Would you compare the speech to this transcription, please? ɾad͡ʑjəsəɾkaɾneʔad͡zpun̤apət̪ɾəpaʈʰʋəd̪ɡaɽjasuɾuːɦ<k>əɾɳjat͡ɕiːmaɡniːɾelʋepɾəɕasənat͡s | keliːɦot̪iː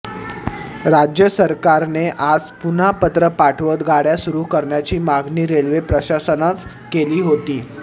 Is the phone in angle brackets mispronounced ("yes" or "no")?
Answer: no